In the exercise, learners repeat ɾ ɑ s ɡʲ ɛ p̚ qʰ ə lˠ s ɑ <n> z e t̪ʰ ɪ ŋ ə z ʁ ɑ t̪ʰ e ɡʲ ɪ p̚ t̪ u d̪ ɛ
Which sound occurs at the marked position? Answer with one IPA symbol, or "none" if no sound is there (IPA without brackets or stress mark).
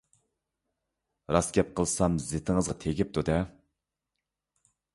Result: m